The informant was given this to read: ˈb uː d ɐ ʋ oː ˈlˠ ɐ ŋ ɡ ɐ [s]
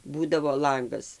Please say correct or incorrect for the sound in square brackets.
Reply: correct